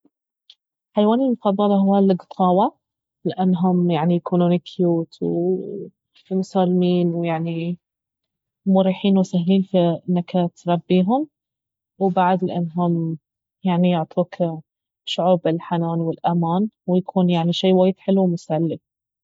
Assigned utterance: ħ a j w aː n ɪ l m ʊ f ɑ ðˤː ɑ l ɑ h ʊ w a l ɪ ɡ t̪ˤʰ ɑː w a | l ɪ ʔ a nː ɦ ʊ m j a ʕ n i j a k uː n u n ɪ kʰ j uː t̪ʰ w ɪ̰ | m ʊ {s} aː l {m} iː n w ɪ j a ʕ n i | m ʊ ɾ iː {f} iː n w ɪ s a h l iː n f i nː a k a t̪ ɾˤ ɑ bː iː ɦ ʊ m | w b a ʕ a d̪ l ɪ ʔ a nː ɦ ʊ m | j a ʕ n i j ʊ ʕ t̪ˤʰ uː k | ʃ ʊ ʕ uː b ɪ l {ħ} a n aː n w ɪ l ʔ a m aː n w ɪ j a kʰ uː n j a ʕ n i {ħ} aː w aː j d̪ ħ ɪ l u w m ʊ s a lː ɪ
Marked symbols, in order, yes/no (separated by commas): yes, yes, no, yes, no